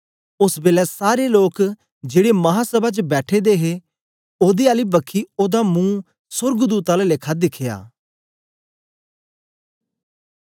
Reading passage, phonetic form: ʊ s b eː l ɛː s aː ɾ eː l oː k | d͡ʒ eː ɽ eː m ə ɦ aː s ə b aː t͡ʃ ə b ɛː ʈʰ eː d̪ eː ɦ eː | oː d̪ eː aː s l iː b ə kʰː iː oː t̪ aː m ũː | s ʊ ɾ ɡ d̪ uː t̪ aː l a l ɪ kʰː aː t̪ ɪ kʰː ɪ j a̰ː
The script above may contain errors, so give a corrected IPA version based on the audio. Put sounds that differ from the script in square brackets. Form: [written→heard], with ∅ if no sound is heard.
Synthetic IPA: ʊ s b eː l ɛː s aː ɾ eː l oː k | d͡ʒ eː ɽ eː m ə ɦ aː s ə b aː t͡ʃ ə b ɛː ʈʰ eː d̪ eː ɦ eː | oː d̪ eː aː [s→∅] l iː b ə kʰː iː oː [t̪→d̪] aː m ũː | s ʊ ɾ ɡ d̪ uː t̪ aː l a l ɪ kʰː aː [t̪→d̪] ɪ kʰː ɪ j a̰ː